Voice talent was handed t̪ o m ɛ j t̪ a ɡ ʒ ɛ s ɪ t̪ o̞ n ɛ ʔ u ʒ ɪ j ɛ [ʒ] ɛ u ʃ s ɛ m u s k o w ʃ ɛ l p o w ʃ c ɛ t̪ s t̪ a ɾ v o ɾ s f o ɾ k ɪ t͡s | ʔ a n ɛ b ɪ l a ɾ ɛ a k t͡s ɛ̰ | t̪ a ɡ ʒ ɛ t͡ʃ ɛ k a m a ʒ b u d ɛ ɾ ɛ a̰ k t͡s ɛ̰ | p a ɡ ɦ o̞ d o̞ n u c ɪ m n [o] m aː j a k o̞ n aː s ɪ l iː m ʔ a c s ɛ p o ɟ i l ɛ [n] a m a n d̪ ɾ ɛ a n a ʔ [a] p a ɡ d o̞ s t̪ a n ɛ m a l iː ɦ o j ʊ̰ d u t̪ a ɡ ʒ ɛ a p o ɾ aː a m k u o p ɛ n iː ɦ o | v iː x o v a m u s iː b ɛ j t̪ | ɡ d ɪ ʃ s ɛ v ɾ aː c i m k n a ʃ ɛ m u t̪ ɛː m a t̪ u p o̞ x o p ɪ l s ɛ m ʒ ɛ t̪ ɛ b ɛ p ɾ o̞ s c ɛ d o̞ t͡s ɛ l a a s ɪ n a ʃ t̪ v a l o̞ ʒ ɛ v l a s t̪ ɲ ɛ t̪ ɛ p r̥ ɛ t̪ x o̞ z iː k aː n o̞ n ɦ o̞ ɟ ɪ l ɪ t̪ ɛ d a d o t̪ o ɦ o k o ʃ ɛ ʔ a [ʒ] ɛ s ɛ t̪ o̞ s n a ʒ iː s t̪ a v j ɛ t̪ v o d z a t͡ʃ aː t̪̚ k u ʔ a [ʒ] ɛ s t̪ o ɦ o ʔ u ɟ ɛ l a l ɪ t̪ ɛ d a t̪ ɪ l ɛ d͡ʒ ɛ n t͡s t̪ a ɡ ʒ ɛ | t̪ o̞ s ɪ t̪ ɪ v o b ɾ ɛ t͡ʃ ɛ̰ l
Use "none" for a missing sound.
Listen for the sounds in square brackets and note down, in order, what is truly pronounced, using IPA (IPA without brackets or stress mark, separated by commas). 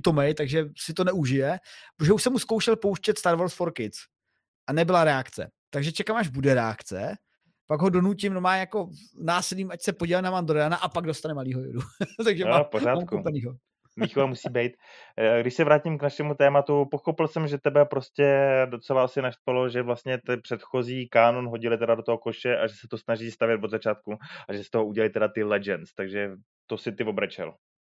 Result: ʒ, o, n, a, ʒ, ʒ